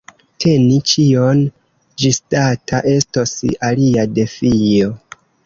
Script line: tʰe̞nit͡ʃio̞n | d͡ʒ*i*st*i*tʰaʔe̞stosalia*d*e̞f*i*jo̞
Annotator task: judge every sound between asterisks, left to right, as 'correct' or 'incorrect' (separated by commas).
correct, incorrect, correct, correct